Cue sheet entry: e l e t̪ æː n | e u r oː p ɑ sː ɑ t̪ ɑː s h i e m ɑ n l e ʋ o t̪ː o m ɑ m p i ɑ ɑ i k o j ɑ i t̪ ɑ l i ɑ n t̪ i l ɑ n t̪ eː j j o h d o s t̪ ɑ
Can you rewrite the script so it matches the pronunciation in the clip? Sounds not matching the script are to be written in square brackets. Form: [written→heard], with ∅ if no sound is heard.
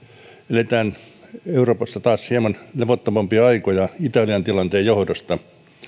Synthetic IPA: e l e t̪ æː n | e u r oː p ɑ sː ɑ t̪ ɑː s h i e m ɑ n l e ʋ o t̪ː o m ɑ m p i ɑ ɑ i k o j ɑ i t̪ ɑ l i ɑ n t̪ i l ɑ n t̪ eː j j o h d o s t̪ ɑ